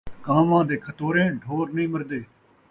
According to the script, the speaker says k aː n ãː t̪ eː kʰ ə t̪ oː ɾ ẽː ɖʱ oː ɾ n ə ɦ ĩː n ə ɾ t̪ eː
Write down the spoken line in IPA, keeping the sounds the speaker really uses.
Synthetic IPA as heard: k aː m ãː d̪ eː kʰ ə t̪ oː ɾ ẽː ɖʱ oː ɾ n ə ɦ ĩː m ə ɾ d̪ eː